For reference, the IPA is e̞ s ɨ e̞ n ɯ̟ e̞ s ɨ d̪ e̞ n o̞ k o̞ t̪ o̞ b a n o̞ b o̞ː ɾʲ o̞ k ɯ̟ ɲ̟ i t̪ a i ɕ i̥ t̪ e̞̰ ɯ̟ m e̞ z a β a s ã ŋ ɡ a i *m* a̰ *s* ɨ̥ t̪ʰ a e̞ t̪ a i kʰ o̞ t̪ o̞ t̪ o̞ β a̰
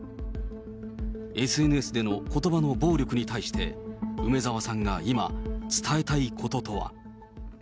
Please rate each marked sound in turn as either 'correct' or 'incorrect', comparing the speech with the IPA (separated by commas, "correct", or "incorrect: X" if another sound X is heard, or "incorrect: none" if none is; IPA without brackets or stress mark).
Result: correct, incorrect: t͡s